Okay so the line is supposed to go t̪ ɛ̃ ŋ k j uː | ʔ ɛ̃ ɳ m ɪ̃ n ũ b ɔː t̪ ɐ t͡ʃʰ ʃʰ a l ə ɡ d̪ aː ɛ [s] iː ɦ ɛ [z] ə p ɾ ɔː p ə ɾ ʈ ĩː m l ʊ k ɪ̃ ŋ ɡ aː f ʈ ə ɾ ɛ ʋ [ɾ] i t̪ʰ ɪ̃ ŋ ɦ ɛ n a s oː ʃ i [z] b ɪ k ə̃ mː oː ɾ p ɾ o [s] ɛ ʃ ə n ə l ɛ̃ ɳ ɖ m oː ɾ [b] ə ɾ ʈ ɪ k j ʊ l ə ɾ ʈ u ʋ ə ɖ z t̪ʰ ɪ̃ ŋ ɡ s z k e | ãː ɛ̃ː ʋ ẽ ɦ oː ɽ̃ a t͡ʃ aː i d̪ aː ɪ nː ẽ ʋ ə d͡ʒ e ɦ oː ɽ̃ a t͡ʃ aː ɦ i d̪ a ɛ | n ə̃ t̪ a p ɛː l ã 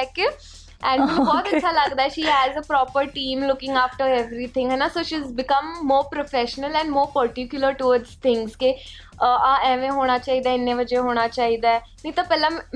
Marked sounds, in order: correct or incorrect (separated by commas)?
incorrect, correct, correct, correct, incorrect, incorrect